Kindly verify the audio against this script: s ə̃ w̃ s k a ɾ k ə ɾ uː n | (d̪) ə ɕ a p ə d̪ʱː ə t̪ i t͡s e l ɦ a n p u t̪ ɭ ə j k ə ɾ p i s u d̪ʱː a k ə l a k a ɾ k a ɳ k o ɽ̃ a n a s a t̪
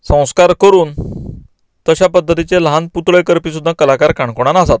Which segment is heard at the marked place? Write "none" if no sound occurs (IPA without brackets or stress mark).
t̪